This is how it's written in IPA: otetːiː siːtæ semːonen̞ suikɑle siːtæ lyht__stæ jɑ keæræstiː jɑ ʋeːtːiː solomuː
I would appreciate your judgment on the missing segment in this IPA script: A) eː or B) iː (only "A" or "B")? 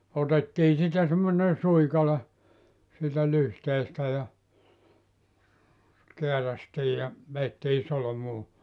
A